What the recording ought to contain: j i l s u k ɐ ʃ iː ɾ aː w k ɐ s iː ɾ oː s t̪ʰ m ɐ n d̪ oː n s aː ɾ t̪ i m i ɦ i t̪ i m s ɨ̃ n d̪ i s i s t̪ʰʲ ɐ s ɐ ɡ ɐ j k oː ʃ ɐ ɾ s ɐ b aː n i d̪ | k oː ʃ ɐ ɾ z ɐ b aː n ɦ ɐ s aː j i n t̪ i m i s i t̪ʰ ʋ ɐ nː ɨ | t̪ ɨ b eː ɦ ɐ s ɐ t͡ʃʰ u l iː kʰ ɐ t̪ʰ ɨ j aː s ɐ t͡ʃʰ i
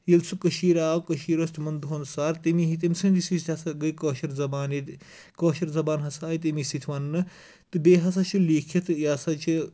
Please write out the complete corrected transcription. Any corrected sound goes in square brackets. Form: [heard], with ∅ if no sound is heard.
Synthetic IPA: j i l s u k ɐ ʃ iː ɾ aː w k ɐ [ʃ] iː ɾ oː s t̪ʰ m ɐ n d̪ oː n s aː ɾ t̪ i m i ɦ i t̪ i m s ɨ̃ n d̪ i s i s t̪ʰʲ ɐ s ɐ ɡ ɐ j k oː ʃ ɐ ɾ [z] ɐ b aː n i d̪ | k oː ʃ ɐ ɾ z ɐ b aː n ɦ ɐ s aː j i [∅] t̪ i m i s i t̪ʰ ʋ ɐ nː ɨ | t̪ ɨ b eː ɦ ɐ s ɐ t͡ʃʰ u l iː kʰ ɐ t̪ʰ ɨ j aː s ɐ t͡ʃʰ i